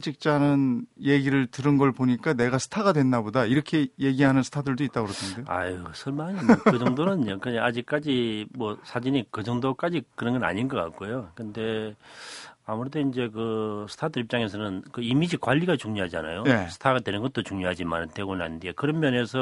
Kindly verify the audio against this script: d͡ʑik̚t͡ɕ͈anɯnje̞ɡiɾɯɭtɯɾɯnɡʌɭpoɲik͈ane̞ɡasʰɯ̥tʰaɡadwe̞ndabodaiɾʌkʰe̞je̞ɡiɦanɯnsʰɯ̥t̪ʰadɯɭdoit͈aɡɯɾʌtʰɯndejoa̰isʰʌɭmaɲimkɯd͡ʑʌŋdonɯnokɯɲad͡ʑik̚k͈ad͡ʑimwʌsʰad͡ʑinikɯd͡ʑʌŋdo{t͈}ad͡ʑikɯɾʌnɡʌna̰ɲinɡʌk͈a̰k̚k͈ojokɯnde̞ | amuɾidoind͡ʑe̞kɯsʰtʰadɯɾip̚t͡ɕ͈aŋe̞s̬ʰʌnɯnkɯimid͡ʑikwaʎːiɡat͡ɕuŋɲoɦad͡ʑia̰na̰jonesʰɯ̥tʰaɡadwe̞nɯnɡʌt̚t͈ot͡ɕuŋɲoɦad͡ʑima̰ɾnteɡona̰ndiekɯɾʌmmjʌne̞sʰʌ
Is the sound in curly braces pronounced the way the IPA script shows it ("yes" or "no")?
no